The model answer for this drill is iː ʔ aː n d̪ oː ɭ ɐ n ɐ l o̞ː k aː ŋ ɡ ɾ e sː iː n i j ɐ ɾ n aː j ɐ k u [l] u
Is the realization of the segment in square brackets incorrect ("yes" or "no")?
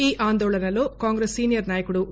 yes